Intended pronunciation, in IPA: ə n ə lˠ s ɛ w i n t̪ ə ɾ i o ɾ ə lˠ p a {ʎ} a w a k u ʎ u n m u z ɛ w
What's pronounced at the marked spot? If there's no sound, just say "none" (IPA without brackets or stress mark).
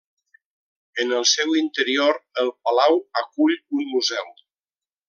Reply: l